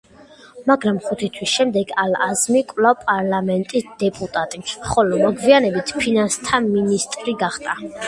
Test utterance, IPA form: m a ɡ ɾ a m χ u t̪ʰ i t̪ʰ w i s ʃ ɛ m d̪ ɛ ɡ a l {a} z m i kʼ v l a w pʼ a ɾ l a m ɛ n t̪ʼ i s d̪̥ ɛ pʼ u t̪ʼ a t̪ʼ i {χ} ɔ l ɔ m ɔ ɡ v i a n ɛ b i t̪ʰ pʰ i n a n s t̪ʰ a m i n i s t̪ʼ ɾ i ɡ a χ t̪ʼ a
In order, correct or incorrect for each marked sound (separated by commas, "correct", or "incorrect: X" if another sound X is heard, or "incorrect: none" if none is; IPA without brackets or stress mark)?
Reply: correct, correct